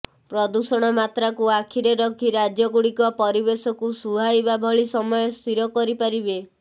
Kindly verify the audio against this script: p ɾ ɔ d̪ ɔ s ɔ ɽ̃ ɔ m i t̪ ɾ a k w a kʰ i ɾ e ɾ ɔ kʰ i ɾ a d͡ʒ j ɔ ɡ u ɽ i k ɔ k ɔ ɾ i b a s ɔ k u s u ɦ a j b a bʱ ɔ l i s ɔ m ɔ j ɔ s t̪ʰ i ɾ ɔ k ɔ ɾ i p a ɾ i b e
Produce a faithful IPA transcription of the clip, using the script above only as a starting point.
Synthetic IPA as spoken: p ɾ ɔ d̪ u s ɔ ɽ̃ ɔ m a t̪ ɾ a k u a kʰ i ɾ e ɾ ɔ kʰ i ɾ a d͡ʒ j ɔ ɡ u ɽ i k ɔ p ɔ ɾ i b e s ɔ k u s u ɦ a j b a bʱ ɔ ɭ i s ɔ m ɔ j ɔ s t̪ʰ i ɾ ɔ k ɔ ɾ i p a ɾ i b e